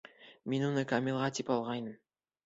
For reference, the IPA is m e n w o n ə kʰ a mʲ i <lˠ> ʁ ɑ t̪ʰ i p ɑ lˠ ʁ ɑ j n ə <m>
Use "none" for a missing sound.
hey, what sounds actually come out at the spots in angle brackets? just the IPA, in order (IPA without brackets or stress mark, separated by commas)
lˠ, m